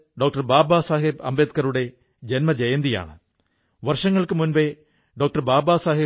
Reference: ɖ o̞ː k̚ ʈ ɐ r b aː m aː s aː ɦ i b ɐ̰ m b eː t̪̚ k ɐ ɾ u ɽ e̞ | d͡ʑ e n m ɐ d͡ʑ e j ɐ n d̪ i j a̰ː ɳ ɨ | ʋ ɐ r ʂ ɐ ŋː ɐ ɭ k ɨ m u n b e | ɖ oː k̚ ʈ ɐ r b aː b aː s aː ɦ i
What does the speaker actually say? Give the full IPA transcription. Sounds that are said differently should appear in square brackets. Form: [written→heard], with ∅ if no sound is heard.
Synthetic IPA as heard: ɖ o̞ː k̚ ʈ ɐ r b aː [m→b] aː s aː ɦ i b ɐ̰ m b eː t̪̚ k ɐ ɾ u ɽ e̞ | d͡ʑ e n m ɐ d͡ʑ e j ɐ n d̪ i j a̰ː ɳ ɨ | ʋ ɐ r ʂ ɐ ŋː ɐ ɭ k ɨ m u n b e | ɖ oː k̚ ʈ ɐ r b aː b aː s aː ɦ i